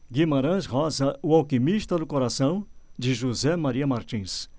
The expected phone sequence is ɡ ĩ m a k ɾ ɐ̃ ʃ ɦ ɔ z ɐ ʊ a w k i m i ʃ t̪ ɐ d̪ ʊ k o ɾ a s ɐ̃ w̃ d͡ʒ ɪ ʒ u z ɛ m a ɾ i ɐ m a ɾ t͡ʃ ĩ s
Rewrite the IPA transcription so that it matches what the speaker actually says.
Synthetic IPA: ɡ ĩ m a ɾ ɐ̃ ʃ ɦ ɔ z ɐ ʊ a w k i m i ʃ t̪ ɐ d̪ ʊ k o ɾ a s ɐ̃ w̃ d͡ʒ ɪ ʒ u z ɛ m a ɾ i ɐ m a ɾ t͡ʃ ĩ s